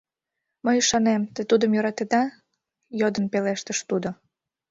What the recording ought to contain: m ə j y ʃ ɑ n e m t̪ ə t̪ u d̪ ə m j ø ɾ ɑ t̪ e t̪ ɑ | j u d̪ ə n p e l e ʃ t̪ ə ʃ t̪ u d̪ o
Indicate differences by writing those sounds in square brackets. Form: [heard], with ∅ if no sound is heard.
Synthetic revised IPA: m ə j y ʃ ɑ n e m t̪ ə t̪ u d̪ ə m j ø ɾ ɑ t̪ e [d̪] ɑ | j [o] d̪ ə n p e l e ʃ t̪ ə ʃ t̪ u d̪ o